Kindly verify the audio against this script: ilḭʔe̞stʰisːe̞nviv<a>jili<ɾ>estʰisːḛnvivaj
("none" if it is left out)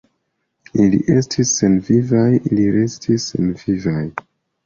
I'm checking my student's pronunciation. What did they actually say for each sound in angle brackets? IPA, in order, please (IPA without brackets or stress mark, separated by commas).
a, ɾ